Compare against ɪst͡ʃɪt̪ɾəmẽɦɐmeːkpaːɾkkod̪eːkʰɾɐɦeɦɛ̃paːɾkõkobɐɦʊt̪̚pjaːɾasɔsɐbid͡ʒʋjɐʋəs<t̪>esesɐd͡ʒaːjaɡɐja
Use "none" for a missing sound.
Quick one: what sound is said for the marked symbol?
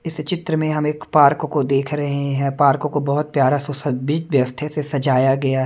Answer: t̪ʰ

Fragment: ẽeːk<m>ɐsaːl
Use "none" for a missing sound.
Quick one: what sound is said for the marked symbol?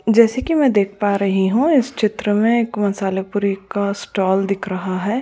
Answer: m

